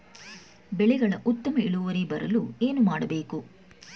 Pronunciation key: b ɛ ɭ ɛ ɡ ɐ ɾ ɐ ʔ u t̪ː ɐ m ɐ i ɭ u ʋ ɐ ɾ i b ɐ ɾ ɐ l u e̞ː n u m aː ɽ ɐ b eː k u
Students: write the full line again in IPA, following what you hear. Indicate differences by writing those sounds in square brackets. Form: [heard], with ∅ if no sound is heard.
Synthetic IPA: b ɛ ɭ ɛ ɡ ɐ [ɭ] ɐ ʔ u t̪ː ɐ m ɐ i ɭ u ʋ ɐ ɾ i b ɐ ɾ ɐ l u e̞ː n u m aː ɽ ɐ b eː k u